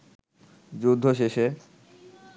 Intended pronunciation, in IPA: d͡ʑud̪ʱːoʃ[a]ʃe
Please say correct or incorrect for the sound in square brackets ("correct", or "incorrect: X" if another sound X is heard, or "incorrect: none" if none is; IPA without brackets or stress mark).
incorrect: e